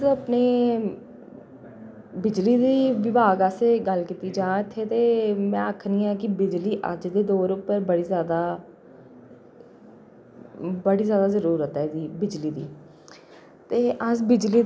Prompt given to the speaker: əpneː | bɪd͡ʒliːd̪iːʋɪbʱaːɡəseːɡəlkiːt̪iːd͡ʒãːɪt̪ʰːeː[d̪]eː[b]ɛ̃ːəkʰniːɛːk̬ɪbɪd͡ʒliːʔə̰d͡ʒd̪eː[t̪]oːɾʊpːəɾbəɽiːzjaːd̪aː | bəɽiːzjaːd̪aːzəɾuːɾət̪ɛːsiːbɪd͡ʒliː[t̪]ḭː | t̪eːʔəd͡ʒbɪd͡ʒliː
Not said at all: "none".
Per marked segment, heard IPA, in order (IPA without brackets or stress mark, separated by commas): t̪, m, d̪, d̪